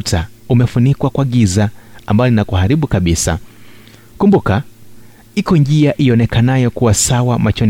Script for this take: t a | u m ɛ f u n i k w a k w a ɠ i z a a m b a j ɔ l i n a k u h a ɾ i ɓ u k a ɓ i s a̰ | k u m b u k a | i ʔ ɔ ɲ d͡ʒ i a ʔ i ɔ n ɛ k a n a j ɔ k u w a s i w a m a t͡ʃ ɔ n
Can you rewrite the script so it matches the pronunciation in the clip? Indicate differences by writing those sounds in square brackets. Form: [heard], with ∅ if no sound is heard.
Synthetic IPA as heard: t a | u m ɛ f u n i k w a k w a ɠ i z a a m b a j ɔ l i n a k u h a ɾ i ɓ u k a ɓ i s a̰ | k u m b u k a | i [k] ɔ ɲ d͡ʒ i a ʔ i ɔ n ɛ k a n a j ɔ k u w a s [a] w a m a t͡ʃ ɔ n